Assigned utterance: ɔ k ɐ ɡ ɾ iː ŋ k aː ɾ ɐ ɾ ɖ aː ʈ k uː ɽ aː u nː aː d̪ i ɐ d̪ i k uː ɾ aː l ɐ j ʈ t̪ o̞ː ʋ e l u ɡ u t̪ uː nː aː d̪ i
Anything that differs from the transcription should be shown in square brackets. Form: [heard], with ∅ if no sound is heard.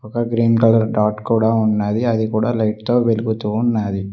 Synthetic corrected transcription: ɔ k ɐ ɡ ɾ iː [n] k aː [l] ɐ ɾ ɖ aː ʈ k uː ɽ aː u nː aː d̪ i ɐ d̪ i k uː [ɽ] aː l ɐ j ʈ t̪ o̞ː ʋ e l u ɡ u t̪ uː nː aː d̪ i